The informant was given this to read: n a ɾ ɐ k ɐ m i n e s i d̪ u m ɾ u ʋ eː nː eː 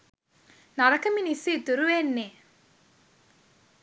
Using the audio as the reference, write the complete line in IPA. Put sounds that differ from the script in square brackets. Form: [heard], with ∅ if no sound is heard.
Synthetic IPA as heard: n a ɾ ɐ k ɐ m i n [i] s i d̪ u [∅] ɾ u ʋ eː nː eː